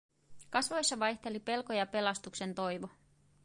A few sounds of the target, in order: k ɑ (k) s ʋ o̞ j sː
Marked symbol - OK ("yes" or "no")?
no